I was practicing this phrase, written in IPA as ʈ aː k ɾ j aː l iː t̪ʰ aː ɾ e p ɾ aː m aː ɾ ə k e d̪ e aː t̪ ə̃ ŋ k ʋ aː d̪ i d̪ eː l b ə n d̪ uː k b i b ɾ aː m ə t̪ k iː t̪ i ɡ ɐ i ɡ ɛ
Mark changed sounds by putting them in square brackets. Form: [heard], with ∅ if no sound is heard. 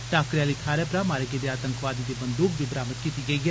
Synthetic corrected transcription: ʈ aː k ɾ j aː l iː t̪ʰ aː ɾ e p ɾ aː m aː ɾ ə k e d̪ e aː t̪ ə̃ ŋ k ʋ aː d̪ i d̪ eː [∅] b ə n d̪ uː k b i b ɾ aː m ə t̪ k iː t̪ i ɡ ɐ i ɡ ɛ